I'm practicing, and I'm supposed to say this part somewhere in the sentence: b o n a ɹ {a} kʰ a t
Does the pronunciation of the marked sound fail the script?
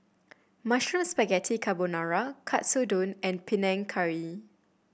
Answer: no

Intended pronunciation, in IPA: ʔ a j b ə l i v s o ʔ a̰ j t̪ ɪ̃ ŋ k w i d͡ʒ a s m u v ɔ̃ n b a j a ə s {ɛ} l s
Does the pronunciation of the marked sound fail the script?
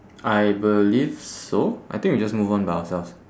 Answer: no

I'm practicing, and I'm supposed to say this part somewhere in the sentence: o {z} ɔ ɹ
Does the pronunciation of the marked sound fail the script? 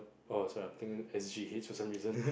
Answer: yes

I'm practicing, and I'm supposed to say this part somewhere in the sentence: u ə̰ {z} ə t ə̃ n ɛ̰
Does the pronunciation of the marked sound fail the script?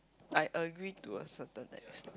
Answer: yes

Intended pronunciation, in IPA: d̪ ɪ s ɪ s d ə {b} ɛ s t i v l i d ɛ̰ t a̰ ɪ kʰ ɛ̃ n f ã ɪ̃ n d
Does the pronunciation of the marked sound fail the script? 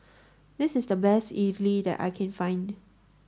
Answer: no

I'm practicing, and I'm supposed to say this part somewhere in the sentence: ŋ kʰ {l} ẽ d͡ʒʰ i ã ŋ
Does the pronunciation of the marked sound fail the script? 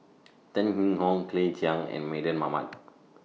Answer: no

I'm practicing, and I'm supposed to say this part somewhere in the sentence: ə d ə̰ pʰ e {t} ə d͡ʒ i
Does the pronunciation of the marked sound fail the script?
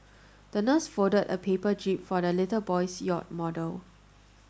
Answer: yes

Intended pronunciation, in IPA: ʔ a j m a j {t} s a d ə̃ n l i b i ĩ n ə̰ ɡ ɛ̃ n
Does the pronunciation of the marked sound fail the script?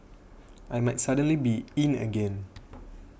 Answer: no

